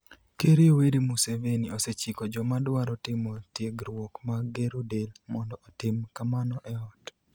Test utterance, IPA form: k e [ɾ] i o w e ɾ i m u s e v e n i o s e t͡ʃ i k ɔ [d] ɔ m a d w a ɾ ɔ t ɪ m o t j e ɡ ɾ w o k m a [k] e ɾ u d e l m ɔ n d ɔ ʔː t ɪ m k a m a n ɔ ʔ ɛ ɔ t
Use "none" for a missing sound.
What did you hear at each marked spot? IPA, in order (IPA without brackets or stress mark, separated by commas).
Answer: ɾ, d͡ʒ, ɡ